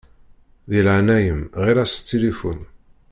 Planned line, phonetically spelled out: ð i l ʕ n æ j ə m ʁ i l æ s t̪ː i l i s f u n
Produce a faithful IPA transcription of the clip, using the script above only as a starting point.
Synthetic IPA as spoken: ð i l ʕ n æ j ə m ʁ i ɾ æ s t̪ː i l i f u n

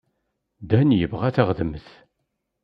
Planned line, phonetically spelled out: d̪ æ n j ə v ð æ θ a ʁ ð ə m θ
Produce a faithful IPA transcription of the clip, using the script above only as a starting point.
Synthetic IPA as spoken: d̪ æ n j ə v ʁ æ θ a ʁ ð ə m θ

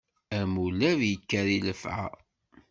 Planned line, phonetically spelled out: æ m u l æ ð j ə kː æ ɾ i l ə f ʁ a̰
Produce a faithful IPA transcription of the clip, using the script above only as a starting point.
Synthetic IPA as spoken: æ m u l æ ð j ə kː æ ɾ i l ə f ʕ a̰

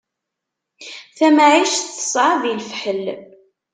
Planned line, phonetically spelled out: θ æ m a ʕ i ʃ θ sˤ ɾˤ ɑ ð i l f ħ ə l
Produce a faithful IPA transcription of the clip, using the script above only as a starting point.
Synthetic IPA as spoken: θ æ m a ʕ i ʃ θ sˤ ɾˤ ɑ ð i l f ħ ə l

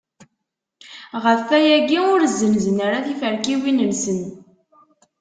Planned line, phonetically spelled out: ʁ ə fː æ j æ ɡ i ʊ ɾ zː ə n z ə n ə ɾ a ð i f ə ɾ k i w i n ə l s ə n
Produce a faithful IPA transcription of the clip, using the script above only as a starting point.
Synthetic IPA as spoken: ʁ ə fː æ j æ ɡ i ʊ ɾ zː ə n z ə n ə ɾ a θ i f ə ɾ k i w i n ə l s ə n

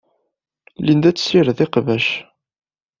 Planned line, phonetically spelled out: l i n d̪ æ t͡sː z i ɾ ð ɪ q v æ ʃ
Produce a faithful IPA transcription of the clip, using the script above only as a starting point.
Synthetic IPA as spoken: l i n d̪ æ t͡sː s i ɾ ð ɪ q v æ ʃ

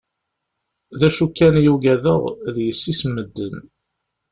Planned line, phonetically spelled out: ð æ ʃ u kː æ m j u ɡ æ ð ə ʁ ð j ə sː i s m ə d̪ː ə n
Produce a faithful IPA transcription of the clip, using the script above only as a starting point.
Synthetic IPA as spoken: ð æ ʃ u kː æ n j u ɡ æ ð ə ʁ ð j ə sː i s m ə d̪ː ə n

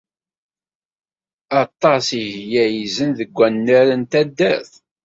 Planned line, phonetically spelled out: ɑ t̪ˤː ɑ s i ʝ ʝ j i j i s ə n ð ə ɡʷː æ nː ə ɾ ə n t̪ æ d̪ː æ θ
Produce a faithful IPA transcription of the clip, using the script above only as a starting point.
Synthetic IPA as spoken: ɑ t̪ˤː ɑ s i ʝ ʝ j æ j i z ə n ð ə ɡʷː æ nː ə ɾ ə n t̪ æ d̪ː æ θ

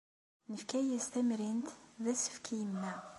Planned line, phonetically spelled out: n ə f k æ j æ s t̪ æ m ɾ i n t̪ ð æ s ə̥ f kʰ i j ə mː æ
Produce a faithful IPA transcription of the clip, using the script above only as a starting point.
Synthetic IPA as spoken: n ə f k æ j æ s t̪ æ m ɾ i n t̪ ð æ s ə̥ f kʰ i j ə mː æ

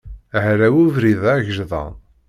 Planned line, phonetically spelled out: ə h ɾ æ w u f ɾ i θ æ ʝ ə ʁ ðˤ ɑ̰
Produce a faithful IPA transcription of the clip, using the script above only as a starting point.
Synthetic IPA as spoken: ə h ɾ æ w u v ɾ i ð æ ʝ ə ʒ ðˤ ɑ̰

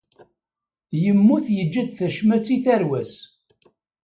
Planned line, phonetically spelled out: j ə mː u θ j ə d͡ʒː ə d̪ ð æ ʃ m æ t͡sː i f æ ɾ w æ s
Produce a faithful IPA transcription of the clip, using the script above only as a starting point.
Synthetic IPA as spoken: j ə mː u θ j ə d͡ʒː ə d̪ θ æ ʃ m æ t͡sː i θ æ ɾ w æ s

